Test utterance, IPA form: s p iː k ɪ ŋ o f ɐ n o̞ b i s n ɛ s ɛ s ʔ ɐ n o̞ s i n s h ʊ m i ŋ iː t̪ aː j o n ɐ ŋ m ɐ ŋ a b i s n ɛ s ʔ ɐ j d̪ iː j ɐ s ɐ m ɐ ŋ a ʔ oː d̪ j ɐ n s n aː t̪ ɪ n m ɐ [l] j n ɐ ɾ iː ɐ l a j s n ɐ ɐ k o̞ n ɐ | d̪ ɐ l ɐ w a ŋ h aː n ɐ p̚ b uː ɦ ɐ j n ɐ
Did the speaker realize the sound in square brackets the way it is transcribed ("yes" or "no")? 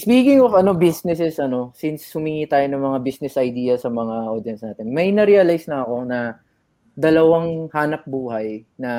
no